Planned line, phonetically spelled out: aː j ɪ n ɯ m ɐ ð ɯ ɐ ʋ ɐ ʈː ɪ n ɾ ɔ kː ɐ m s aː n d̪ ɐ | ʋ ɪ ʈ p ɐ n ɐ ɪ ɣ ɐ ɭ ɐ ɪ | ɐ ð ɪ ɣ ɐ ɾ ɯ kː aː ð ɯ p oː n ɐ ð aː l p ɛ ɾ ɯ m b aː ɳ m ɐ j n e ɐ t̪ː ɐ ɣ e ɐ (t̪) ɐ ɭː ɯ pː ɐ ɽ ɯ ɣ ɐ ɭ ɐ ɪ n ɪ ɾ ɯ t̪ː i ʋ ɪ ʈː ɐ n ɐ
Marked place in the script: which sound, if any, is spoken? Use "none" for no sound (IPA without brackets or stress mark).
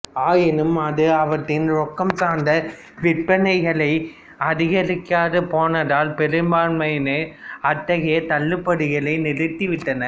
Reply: t̪